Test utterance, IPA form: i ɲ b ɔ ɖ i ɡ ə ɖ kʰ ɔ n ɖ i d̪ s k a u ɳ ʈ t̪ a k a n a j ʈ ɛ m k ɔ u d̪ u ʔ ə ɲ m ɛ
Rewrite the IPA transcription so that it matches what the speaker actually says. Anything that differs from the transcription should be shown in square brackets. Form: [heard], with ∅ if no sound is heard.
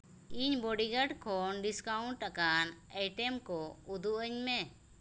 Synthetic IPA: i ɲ b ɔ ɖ i ɡ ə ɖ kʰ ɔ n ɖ i [∅] s k a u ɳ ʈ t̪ a k a n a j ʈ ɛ m k ɔ u d̪ u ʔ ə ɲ m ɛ